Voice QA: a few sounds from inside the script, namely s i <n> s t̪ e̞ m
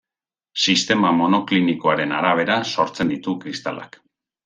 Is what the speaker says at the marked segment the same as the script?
no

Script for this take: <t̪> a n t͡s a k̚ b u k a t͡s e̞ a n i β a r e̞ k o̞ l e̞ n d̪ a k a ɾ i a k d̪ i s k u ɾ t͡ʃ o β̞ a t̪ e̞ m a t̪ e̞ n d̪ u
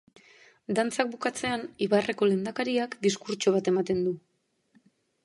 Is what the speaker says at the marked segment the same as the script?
no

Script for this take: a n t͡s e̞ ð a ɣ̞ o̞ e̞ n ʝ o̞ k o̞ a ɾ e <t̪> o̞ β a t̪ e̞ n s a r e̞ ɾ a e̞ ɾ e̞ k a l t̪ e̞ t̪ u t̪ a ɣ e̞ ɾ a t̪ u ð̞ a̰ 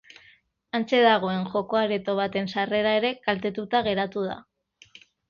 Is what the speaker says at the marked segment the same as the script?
yes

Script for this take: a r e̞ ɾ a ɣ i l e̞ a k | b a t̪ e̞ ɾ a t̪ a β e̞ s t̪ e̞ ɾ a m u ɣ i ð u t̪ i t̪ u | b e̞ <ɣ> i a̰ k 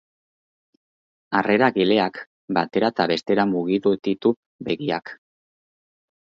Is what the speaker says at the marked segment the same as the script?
yes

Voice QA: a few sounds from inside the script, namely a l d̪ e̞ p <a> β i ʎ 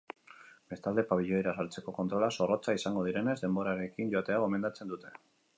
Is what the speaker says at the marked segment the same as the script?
yes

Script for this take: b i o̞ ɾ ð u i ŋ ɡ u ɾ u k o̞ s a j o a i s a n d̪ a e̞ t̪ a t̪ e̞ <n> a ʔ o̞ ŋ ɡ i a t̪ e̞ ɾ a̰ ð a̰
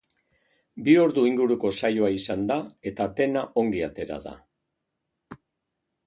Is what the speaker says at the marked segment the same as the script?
yes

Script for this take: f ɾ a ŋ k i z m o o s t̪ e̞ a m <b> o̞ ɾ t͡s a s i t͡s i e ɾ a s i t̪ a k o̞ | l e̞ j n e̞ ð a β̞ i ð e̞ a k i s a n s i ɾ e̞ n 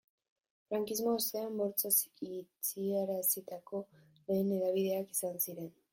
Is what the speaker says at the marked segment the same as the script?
yes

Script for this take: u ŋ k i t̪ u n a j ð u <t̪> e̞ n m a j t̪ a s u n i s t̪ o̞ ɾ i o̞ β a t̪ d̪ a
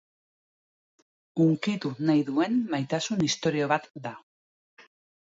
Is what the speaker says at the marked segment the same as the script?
no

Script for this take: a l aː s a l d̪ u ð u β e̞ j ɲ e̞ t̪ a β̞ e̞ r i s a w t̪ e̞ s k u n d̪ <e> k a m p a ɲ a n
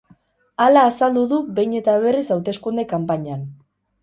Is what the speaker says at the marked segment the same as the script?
yes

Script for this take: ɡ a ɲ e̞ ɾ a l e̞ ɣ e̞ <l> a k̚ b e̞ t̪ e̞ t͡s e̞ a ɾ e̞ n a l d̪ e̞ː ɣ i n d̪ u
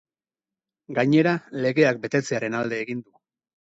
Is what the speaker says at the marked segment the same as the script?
no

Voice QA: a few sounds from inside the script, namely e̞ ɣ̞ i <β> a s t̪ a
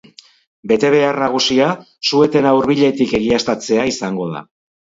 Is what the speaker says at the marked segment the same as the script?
no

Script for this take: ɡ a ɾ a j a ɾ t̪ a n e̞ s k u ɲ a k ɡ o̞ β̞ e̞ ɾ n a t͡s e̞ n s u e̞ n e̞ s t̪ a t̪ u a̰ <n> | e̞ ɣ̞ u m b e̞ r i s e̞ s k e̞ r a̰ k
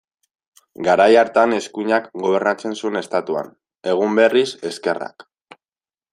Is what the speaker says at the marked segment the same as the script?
yes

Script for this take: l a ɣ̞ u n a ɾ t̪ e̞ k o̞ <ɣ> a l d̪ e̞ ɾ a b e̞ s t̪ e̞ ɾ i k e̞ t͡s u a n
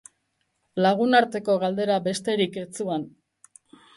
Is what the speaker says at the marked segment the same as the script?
yes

